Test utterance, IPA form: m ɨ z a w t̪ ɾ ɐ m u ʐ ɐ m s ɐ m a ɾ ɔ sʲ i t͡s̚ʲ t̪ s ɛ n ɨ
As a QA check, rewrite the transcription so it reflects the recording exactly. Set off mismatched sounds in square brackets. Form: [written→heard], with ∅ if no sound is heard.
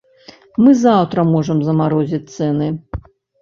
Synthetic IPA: m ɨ z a w t̪ ɾ ɐ m [u→ɔ] ʐ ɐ m [s→z] ɐ m a ɾ ɔ [sʲ→zʲ] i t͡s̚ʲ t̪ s ɛ n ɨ